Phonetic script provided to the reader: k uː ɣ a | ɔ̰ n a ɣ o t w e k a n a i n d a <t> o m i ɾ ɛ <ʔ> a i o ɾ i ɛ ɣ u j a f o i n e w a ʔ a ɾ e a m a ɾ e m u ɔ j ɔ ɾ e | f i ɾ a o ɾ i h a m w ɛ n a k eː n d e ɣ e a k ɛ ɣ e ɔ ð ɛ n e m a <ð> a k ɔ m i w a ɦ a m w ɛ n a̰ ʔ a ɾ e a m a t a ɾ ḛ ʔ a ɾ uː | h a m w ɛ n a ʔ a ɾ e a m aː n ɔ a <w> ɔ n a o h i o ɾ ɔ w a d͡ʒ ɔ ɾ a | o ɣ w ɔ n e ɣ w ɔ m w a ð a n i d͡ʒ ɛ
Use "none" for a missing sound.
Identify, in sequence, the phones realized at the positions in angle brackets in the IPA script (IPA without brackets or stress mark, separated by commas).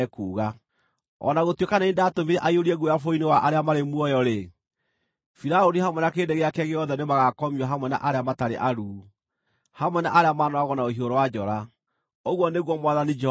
t, ʔ, ɣ, ɣ